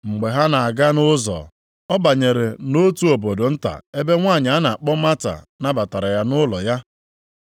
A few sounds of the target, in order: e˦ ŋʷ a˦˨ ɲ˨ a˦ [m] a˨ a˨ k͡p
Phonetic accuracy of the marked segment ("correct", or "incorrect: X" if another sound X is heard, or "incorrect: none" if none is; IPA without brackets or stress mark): incorrect: n